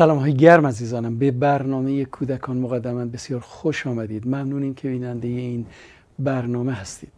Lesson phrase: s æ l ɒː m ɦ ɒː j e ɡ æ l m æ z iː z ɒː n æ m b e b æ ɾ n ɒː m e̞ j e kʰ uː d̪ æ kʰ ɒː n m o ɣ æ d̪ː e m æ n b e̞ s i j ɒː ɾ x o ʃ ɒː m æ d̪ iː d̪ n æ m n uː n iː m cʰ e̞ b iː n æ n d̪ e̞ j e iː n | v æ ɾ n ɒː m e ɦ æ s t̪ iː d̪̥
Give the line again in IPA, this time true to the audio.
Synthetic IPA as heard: s æ l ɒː m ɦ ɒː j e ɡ æ ɾ m æ z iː z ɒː n æ m b e b æ ɾ n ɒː m e̞ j e kʰ uː d̪ æ kʰ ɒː n m o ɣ æ d̪ː æ m æ n b e̞ s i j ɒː ɾ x o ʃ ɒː m æ d̪ iː d̪ m æ m n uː n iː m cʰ e̞ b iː n æ n d̪ e̞ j e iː n | b æ ɾ n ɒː m e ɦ æ s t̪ iː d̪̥